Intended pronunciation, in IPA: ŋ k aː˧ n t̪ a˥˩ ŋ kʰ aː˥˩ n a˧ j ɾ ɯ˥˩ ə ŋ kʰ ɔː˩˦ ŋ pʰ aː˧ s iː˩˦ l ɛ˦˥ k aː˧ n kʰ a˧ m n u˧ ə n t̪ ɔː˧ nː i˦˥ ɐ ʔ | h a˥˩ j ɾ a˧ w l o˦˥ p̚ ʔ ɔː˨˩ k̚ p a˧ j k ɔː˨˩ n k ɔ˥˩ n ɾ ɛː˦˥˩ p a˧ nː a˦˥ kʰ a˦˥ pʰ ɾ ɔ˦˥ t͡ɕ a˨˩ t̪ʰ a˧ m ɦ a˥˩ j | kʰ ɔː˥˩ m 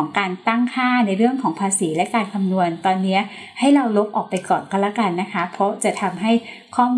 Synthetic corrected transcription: ŋ k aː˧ n t̪ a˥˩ ŋ kʰ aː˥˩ n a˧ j ɾ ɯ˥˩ ə ŋ kʰ ɔː˩˦ ŋ pʰ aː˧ s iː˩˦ l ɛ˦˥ k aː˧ n kʰ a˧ m n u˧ ə n t̪ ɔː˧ nː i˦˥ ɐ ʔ | h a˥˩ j ɾ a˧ w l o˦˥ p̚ ʔ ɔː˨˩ k̚ p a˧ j k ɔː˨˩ n k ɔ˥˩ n l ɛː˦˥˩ k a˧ nː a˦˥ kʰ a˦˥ pʰ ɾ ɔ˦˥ t͡ɕ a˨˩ t̪ʰ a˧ m ɦ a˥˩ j | kʰ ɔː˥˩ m

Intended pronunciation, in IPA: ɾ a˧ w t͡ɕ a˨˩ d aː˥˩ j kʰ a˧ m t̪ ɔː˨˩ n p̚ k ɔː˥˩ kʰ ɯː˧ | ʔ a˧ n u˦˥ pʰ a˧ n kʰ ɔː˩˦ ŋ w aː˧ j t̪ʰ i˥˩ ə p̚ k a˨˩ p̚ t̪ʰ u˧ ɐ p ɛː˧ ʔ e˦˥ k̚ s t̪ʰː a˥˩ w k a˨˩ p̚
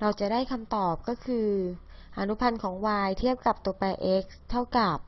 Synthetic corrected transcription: ɾ a˧ w t͡ɕ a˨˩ d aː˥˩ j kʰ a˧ m t̪ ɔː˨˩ p̚ k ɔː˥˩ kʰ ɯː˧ | ʔ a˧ n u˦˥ pʰ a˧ n kʰ ɔː˩˦ ŋ w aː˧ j t̪ʰ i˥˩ ə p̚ k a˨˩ p̚ t̪ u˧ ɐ p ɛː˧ ʔ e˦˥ k̚ s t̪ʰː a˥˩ w k a˨˩ p̚

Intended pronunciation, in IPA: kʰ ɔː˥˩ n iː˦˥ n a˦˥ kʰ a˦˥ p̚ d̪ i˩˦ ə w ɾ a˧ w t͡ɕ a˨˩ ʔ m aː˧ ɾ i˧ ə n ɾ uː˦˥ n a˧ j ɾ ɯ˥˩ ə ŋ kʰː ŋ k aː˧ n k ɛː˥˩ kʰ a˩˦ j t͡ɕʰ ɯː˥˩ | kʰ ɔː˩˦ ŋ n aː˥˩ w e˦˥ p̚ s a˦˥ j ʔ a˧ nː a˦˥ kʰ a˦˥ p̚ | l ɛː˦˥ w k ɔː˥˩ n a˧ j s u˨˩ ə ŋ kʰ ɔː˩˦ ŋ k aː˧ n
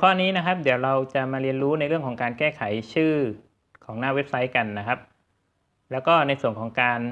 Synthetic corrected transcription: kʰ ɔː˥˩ n iː˦˥ n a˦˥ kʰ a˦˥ p̚ d̪ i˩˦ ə w ɾ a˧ w t͡ɕ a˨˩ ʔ m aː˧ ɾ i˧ ə n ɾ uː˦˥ n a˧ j ɾ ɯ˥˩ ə ŋ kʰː ŋ k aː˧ n k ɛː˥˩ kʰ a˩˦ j t͡ɕʰ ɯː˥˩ | kʰ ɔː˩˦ ŋ n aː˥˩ w e˦˥ p̚ s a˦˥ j k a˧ nː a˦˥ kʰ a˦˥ p̚ | l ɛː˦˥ w k ɔː˥˩ n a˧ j s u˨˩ ə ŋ kʰ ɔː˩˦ ŋ k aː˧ n

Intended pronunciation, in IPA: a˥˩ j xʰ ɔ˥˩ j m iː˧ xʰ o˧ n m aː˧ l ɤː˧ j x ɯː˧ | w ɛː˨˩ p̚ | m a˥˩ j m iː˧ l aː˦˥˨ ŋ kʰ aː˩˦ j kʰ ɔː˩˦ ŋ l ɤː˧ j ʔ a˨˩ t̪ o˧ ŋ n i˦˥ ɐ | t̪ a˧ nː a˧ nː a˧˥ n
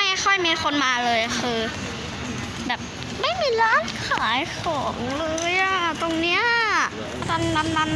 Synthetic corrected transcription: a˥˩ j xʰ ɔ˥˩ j m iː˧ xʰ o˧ n m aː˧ l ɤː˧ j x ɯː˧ | b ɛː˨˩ p̚ | m a˥˩ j m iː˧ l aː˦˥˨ n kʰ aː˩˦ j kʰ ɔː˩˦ ŋ l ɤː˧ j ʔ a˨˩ t̪ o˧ ŋ n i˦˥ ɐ | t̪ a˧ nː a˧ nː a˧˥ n

